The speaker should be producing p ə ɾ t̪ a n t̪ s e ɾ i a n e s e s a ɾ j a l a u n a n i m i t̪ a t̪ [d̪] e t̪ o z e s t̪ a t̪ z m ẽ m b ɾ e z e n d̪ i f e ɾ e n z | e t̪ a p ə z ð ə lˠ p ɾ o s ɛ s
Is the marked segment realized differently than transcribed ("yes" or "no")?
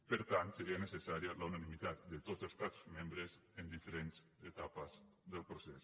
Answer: no